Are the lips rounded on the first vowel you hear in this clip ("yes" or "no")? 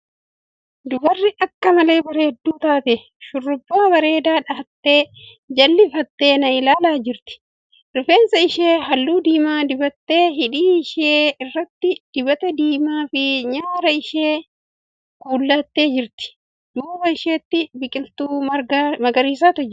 yes